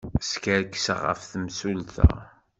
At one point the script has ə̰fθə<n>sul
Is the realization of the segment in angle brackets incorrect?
yes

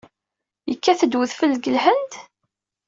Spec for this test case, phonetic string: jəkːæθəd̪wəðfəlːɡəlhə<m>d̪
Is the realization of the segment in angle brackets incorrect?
yes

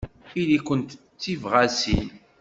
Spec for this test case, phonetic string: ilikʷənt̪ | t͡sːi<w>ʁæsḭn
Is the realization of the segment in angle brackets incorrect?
yes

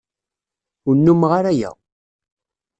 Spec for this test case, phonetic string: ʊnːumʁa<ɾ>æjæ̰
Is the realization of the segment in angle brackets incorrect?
no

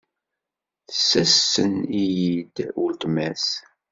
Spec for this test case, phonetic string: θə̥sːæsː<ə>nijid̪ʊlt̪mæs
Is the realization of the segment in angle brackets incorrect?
no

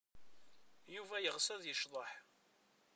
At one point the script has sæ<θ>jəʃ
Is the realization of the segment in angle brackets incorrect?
yes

